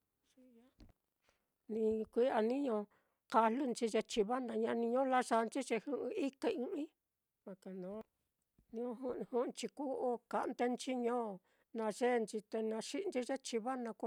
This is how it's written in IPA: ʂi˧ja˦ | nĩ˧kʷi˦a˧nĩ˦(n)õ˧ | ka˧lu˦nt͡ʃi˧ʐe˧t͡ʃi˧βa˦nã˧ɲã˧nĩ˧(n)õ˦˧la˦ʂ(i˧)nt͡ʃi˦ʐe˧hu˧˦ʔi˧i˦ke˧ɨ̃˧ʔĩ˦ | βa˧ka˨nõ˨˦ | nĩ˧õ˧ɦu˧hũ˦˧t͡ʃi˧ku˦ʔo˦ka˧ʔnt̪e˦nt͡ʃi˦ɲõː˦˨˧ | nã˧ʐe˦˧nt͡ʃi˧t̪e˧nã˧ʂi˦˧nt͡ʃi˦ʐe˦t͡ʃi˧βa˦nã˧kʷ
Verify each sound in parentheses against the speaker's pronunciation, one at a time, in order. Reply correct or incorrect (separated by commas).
incorrect, incorrect, incorrect